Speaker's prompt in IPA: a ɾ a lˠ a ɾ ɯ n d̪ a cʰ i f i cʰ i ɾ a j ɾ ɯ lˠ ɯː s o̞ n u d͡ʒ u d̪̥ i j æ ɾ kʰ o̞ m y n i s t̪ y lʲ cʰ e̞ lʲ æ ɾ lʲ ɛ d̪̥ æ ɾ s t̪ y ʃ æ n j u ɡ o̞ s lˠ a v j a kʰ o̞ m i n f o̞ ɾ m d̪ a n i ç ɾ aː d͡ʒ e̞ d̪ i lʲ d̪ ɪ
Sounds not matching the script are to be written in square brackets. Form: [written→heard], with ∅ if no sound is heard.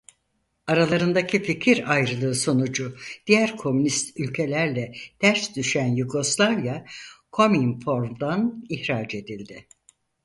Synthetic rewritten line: a ɾ a lˠ a ɾ ɯ n d̪ a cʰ i f i cʰ i ɾ a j ɾ ɯ lˠ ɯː s o̞ n u d͡ʒ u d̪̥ i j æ ɾ kʰ o̞ m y n i s t̪ y lʲ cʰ e̞ lʲ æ ɾ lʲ ɛ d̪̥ æ ɾ s [t̪→d̪] y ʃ æ n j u ɡ o̞ s lˠ a v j a kʰ o̞ m i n f o̞ ɾ m d̪ a n i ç ɾ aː d͡ʒ e̞ d̪ i lʲ d̪ ɪ